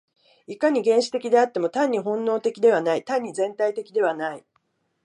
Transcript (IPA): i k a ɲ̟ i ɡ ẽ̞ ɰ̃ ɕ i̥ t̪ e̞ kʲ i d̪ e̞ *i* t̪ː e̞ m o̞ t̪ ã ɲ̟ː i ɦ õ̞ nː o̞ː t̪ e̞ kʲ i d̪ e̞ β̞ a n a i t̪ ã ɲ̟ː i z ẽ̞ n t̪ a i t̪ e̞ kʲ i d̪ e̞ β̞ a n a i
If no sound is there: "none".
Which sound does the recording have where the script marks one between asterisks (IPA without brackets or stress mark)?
a